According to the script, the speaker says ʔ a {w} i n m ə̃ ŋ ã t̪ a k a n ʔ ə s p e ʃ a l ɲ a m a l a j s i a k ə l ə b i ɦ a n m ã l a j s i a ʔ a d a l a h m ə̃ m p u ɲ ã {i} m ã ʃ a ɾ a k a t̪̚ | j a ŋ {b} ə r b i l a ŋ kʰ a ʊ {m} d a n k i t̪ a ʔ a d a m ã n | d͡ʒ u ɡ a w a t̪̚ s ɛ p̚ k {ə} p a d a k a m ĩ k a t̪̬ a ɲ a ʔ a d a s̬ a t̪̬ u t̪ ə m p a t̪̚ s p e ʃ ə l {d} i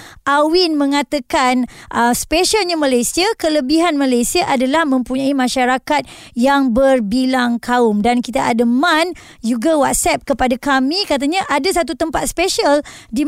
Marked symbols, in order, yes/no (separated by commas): yes, yes, yes, yes, yes, yes